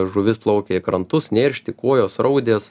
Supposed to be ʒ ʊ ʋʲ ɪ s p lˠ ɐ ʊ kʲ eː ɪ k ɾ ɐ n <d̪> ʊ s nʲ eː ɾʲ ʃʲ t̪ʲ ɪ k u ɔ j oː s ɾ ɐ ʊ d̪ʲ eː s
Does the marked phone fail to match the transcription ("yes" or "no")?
yes